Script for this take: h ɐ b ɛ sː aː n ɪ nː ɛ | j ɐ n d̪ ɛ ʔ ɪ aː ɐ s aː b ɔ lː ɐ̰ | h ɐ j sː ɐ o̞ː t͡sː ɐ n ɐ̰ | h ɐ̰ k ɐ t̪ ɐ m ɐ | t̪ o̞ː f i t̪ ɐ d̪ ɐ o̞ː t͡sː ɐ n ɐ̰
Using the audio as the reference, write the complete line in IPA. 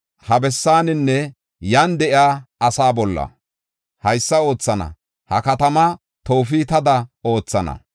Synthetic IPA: h ɐ b ɛ sː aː n ɪ nː ɛ | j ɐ n d̪ ɛ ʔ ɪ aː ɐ s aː b ɔ lː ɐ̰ | h ɐ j sː ɐ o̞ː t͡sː ɐ n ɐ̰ | h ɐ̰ k ɐ t̪ ɐ m ɐ | t̪ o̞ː f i t̪ ɐ d̪ ɐ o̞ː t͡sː ɐ n ɐ̰